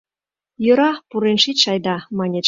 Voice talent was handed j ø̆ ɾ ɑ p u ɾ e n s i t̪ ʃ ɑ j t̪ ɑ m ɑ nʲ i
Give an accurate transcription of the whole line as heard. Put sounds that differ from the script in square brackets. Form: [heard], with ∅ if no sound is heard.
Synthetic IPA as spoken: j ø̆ ɾ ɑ p u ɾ e n [ʃ] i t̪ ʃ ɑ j [d̪] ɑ m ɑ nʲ [e]